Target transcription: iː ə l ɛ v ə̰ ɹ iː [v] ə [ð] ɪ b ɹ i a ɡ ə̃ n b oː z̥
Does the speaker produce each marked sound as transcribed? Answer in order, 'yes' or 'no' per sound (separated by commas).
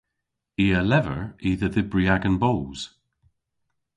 no, yes